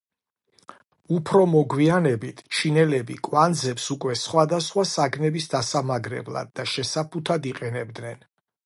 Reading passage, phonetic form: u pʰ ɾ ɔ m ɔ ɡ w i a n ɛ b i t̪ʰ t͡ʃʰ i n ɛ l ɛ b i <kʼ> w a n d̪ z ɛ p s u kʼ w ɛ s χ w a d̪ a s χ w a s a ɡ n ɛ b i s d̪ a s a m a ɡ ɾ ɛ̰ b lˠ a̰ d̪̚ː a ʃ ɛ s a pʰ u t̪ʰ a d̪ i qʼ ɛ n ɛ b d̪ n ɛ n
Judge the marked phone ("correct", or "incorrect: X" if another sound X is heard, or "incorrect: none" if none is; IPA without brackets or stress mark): correct